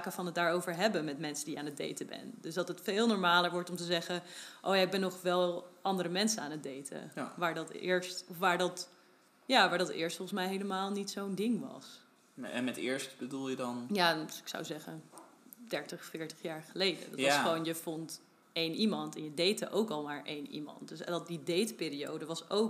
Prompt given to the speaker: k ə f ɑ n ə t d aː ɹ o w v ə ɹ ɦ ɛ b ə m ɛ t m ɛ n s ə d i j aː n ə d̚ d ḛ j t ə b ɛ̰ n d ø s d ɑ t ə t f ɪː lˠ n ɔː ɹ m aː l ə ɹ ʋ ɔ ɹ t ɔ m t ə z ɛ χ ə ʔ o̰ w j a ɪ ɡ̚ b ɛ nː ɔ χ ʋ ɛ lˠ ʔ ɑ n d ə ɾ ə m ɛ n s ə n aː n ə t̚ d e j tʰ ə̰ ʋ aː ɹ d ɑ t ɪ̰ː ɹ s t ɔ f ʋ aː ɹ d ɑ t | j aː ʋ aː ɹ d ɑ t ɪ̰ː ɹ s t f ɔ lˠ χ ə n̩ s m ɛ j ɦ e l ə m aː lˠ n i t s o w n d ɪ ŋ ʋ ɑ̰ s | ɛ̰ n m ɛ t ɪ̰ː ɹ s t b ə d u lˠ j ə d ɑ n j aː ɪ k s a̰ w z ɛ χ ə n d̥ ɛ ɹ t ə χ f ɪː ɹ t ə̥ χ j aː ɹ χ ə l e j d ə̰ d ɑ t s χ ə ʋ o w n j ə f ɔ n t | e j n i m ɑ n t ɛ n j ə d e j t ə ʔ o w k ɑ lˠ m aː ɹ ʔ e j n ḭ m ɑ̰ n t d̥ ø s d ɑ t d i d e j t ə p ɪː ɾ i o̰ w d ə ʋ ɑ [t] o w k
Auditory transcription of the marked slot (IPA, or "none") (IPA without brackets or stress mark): s